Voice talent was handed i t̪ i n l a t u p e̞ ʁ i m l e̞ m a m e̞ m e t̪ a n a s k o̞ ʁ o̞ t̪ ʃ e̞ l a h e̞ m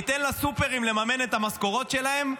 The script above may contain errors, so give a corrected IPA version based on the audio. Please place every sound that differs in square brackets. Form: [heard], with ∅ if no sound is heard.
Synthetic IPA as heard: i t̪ [e] n l a [s] u p e̞ ʁ i m l e̞ m a m e̞ [n] e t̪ a [m] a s k o̞ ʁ o̞ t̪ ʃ e̞ l a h e̞ m